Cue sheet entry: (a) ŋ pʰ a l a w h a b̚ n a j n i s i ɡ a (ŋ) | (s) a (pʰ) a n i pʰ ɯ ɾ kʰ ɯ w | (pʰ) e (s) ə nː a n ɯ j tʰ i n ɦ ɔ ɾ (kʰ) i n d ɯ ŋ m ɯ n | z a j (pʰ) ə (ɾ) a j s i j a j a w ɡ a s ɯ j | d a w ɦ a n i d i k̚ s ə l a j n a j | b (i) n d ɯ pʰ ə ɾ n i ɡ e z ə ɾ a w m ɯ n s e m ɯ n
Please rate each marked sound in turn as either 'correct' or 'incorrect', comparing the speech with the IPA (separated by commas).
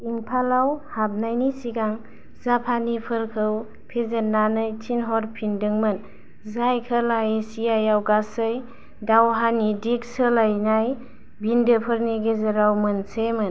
incorrect, correct, incorrect, correct, correct, incorrect, incorrect, incorrect, incorrect, correct